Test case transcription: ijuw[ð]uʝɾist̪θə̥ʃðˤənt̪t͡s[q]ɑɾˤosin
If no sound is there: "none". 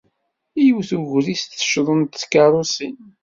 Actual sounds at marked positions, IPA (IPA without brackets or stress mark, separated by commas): θ, k